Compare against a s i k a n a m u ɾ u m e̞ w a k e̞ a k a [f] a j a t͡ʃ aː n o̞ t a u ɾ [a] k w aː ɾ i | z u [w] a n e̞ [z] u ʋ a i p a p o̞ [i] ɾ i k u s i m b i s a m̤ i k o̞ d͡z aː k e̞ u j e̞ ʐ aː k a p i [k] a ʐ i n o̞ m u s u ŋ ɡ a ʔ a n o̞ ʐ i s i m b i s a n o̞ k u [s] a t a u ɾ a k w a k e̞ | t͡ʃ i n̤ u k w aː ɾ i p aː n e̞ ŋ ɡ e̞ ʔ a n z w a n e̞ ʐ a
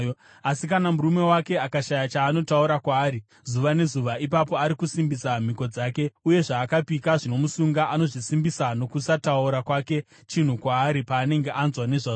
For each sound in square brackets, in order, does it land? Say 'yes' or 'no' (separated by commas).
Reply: no, yes, no, yes, no, yes, yes